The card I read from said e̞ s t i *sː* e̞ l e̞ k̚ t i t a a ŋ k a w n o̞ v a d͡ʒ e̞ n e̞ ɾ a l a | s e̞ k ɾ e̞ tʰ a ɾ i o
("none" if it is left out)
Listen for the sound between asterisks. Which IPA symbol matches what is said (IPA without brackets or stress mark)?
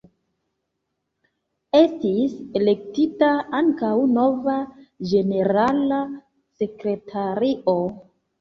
s